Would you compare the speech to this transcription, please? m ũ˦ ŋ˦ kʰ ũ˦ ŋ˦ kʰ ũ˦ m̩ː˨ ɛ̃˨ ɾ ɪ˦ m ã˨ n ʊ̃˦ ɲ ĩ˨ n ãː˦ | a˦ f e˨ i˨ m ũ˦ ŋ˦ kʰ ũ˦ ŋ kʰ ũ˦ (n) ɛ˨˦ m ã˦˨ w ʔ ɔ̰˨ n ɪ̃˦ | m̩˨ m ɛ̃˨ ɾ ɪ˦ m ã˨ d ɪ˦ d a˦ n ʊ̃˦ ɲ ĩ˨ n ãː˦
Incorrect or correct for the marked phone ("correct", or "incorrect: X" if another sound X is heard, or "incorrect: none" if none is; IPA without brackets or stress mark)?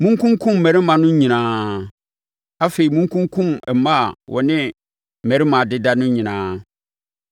incorrect: m